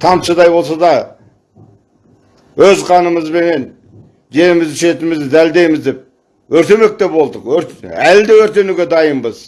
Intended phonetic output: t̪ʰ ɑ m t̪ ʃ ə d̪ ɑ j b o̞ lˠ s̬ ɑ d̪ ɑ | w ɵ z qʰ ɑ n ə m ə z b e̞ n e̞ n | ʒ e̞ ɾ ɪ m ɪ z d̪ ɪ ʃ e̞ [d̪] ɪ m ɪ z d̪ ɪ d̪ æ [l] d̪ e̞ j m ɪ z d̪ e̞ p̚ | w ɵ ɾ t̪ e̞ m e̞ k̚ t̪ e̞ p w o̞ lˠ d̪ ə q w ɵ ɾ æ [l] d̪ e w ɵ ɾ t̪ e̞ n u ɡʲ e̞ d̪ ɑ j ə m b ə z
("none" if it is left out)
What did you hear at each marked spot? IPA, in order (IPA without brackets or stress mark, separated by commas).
t̪, l, l